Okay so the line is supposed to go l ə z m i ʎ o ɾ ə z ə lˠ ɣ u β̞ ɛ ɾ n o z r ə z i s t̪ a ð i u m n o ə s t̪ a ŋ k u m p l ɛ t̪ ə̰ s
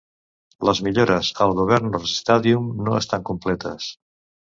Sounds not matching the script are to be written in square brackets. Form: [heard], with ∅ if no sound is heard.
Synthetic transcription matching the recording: l ə z m i ʎ o ɾ ə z ə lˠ ɣ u β̞ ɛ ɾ n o [∅] r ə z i s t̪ a ð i u m n o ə s t̪ a ŋ k u m p l ɛ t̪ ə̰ s